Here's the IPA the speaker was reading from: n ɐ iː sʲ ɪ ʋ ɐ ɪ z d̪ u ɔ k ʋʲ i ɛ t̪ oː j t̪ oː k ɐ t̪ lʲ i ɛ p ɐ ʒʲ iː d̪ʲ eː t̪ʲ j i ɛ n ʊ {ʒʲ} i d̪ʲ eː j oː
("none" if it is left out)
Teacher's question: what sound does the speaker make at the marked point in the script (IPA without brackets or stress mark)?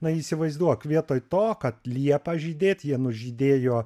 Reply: ʒʲ